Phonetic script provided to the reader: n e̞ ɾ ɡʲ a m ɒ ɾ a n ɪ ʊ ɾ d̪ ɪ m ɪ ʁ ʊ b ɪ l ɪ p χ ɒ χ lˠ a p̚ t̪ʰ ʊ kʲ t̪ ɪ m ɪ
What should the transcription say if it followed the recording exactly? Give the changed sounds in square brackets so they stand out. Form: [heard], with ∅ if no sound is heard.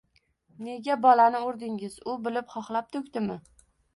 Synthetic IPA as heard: n e̞ [∅] ɡʲ a [b] ɒ [l] a n ɪ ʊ ɾ d̪ ɪ [ŋ] ɪ [z] ʊ b ɪ l ɪ p χ ɒ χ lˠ a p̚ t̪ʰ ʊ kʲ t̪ ɪ m ɪ